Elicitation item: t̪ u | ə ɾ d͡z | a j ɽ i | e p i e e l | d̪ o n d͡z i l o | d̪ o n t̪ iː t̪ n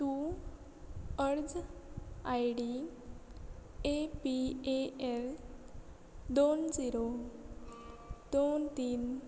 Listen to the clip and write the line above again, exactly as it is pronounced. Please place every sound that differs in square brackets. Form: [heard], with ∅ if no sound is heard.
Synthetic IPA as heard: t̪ u | ə ɾ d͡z | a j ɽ i | e p i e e l | d̪ o n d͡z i [ɾ] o | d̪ o n t̪ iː [∅] n